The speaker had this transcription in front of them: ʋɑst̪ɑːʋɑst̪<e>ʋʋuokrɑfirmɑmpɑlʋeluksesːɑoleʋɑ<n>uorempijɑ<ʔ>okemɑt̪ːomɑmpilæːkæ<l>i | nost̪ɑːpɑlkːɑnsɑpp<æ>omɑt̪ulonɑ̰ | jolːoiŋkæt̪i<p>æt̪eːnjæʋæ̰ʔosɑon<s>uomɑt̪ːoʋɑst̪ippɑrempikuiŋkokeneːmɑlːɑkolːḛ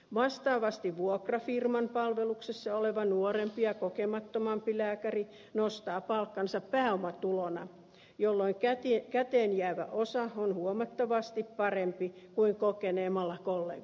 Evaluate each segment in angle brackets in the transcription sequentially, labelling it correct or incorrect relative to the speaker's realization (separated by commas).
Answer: incorrect, correct, incorrect, incorrect, incorrect, incorrect, incorrect